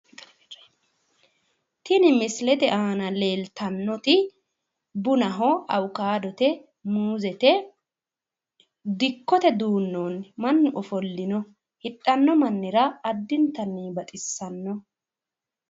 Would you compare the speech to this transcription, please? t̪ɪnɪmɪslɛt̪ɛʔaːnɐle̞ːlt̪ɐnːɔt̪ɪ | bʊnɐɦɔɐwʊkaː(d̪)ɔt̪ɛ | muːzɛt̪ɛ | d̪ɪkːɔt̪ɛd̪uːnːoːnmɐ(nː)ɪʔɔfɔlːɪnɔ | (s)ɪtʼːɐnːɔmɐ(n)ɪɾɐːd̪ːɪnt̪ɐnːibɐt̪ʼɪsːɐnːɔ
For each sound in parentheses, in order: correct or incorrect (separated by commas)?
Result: correct, correct, incorrect, incorrect